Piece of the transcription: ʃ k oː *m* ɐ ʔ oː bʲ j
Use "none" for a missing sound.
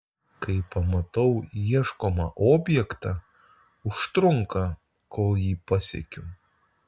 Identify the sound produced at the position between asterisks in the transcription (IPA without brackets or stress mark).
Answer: m